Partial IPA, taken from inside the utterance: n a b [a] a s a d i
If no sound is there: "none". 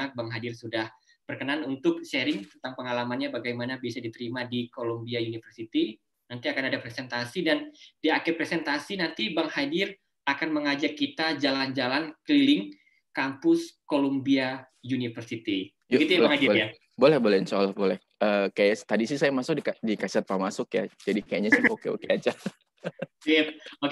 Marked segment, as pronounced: i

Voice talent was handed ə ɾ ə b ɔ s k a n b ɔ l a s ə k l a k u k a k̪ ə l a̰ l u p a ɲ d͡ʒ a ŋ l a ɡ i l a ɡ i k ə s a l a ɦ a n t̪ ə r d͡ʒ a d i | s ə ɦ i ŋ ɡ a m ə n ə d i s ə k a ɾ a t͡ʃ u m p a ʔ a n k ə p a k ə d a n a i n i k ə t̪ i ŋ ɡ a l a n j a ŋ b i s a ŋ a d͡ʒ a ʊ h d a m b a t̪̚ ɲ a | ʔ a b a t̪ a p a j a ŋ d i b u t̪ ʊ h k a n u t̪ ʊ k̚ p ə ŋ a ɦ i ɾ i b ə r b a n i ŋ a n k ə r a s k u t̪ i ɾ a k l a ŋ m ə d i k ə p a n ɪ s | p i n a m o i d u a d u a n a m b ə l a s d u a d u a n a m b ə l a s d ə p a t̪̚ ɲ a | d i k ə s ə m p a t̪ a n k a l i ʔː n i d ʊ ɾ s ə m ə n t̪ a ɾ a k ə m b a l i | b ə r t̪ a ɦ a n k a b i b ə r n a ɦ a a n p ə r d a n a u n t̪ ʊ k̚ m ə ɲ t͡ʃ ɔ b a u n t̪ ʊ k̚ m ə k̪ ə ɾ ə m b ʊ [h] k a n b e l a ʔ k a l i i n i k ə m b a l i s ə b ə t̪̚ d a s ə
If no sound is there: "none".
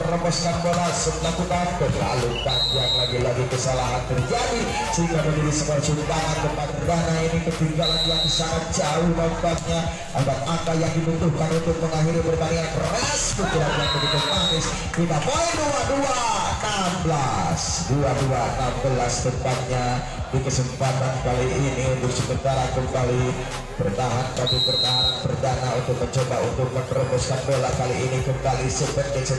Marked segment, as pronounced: s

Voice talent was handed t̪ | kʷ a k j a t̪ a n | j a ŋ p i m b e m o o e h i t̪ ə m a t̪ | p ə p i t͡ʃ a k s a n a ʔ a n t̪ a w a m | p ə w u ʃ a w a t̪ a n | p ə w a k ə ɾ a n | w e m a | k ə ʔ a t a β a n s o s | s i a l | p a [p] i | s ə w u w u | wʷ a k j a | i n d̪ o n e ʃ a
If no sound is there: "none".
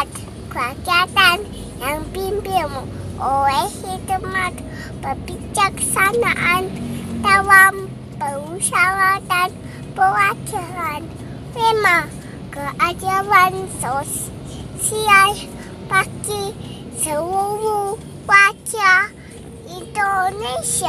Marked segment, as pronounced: k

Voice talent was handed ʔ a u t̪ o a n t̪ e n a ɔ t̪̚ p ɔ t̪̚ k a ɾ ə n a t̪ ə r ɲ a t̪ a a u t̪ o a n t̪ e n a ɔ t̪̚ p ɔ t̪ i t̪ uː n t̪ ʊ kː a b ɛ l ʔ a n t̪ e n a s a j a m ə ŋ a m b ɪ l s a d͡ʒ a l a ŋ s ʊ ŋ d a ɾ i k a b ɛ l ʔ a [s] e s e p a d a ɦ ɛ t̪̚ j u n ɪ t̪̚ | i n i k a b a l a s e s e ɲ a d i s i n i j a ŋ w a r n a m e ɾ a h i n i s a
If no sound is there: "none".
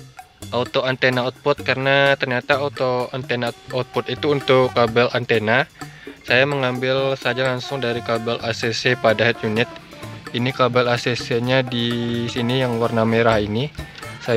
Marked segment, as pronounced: s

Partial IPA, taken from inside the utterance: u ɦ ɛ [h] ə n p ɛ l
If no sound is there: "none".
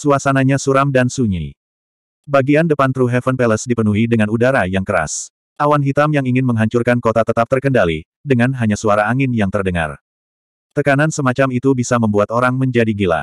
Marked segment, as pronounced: f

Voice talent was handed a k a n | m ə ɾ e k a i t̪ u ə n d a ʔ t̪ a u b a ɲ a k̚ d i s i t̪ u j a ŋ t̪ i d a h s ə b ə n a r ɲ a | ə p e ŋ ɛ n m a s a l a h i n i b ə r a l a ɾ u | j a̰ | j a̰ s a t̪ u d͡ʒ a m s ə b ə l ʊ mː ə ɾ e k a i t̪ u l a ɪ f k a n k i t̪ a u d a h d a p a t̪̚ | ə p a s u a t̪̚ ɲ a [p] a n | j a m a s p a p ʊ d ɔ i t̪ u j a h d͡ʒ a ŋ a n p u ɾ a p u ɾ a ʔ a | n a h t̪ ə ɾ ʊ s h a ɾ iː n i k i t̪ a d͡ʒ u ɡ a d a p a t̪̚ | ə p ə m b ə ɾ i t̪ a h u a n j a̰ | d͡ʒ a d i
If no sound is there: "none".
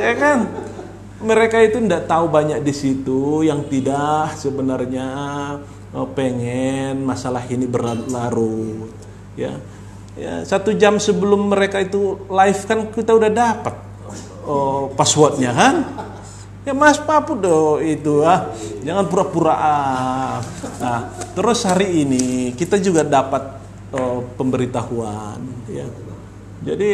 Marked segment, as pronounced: k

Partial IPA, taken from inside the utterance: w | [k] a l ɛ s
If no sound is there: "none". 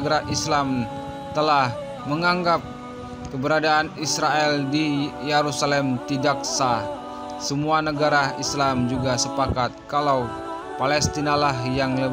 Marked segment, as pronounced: p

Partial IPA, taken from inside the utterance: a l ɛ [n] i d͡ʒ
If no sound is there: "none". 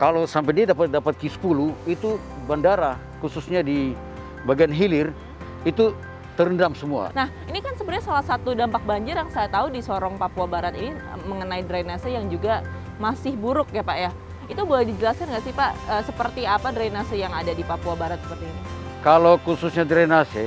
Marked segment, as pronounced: d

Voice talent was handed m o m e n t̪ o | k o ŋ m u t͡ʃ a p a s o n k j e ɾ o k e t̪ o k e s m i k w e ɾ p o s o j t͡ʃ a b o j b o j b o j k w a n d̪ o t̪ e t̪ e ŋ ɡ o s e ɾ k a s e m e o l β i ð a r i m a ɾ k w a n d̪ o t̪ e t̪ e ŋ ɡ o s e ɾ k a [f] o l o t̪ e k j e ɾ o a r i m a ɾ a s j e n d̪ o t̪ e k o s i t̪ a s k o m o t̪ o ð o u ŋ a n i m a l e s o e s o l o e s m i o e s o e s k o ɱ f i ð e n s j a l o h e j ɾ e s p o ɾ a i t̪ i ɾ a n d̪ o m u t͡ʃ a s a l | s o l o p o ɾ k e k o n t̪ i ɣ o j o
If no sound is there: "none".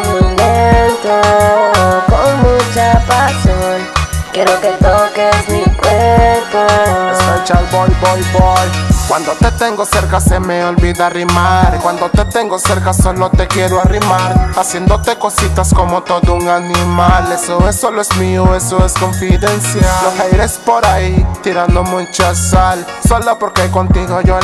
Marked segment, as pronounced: s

